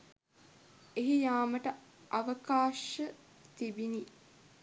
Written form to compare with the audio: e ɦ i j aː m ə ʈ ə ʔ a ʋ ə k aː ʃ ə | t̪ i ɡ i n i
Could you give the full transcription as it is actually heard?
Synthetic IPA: e ɦ i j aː m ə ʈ ə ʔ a ʋ ə k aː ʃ ə | t̪ i b i n i